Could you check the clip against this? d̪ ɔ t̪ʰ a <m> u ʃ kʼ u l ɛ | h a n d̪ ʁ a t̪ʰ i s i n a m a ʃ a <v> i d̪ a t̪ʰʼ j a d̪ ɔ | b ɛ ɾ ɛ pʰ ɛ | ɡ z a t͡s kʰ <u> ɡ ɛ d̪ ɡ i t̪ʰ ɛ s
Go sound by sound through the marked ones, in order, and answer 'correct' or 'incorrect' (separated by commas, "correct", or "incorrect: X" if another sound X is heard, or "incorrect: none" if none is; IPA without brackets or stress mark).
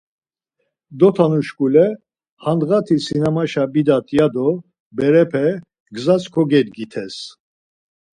incorrect: n, incorrect: b, incorrect: ɔ